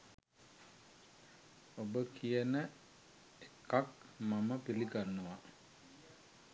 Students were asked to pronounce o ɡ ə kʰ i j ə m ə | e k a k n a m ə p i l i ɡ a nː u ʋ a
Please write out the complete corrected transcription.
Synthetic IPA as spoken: o b ə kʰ i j ə n ə | e k a k m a m ə p i l i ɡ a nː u ʋ a